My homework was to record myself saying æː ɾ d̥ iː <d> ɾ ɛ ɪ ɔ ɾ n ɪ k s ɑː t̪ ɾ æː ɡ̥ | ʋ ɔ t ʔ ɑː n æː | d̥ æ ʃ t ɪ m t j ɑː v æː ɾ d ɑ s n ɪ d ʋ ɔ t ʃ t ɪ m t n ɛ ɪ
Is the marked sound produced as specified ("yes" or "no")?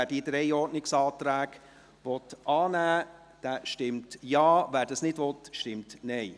yes